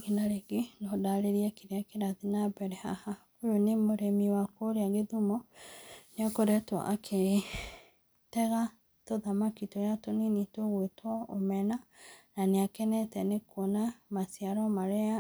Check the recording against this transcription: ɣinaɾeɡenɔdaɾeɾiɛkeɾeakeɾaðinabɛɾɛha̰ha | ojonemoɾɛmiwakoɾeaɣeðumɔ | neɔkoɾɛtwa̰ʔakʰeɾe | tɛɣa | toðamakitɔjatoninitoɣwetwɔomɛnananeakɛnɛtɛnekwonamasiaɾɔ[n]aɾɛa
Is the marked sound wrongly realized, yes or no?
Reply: yes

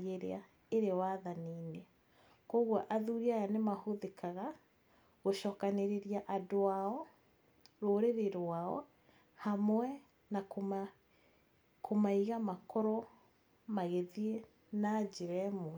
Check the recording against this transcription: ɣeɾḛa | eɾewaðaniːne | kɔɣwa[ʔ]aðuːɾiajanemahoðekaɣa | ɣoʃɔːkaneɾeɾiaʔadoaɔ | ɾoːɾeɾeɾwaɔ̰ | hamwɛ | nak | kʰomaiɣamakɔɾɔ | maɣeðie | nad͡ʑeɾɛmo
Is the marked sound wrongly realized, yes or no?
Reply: no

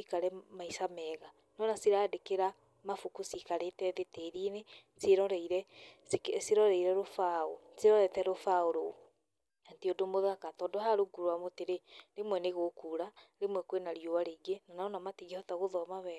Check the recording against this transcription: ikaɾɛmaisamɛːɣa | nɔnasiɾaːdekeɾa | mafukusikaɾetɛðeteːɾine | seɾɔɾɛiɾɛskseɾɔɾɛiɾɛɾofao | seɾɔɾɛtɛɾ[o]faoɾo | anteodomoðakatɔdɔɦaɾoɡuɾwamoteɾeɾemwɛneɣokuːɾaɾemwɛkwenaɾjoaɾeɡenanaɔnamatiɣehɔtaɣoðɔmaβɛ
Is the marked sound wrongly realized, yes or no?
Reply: no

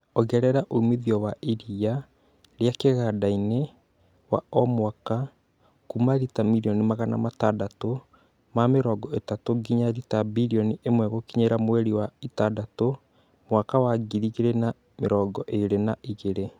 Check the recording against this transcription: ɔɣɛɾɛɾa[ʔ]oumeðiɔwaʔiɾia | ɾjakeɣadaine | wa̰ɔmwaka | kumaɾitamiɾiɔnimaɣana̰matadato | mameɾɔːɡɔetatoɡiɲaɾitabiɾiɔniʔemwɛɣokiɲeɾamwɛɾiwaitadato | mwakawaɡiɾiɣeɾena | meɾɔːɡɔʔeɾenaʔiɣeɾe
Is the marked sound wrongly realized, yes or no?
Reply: no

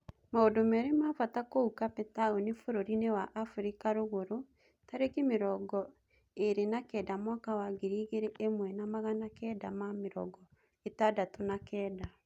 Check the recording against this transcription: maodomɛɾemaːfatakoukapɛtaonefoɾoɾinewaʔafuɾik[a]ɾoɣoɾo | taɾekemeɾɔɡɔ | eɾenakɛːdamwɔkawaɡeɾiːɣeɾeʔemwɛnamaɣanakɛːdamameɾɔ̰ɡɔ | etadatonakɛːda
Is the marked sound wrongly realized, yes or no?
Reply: no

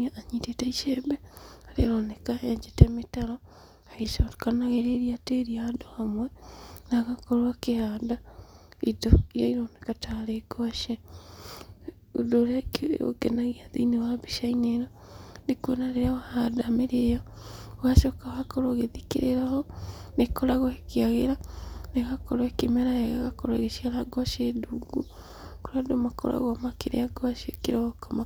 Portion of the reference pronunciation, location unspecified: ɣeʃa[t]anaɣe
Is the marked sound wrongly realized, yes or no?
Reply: yes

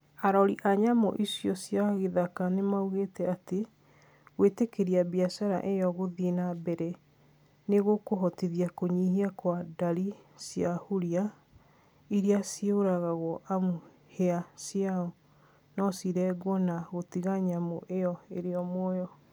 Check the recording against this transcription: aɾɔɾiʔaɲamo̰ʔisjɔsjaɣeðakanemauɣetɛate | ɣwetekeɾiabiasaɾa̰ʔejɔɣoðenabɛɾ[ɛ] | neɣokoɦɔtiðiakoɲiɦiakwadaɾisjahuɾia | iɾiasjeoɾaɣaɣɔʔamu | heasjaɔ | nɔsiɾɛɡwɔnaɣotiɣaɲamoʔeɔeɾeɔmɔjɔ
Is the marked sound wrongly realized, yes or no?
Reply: no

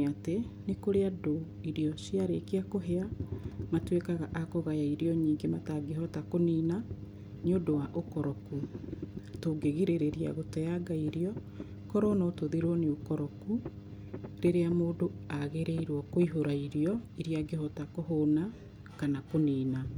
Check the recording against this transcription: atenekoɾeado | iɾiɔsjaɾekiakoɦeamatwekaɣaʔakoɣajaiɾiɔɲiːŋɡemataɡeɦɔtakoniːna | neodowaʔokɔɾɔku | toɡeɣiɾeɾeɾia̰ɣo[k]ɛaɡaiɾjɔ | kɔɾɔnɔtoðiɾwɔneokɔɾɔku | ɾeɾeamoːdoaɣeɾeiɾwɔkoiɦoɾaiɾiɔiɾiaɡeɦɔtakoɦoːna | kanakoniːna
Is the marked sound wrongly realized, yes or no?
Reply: yes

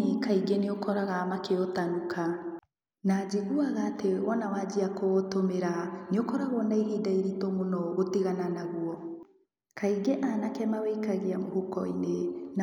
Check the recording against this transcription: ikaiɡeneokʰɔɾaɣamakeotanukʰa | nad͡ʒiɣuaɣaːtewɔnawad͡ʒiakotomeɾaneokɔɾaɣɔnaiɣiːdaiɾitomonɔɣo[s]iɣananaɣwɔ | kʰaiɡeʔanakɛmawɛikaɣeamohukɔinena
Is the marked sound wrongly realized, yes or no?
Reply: yes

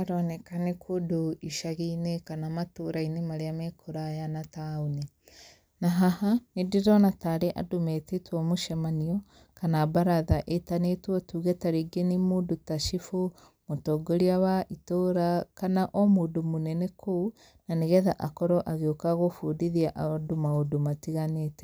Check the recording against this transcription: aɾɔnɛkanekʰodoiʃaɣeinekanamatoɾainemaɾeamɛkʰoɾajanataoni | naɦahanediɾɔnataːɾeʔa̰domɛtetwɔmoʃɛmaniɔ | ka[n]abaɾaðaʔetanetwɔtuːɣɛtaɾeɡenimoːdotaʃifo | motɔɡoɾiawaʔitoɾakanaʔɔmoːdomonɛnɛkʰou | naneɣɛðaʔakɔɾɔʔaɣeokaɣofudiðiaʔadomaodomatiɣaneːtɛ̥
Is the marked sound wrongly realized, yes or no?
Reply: no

